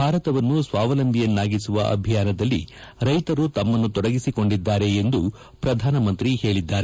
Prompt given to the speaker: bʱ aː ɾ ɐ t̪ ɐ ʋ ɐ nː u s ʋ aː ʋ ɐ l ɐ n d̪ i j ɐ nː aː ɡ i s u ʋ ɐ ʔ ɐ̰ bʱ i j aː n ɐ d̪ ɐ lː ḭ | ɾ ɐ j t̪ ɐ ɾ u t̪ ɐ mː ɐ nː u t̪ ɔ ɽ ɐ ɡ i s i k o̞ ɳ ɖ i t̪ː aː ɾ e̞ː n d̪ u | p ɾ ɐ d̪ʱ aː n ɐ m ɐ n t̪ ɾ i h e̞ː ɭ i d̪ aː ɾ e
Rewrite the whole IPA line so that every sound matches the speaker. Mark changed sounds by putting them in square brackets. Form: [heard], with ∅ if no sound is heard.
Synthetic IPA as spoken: bʱ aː ɾ ɐ t̪ ɐ ʋ ɐ nː u s ʋ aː ʋ ɐ l ɐ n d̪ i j ɐ nː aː ɡ i s u ʋ ɐ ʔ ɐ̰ bʱ i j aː n ɐ d̪ ɐ lː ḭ | ɾ ɐ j t̪ ɐ ɾ u t̪ ɐ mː ɐ nː u t̪ ɔ ɽ ɐ ɡ i s i k o̞ ɳ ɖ i [d̪ː] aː ɾ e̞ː n d̪ u | p ɾ ɐ d̪ʱ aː n ɐ m ɐ n t̪ ɾ i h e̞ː ɭ i [d̪ː] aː ɾ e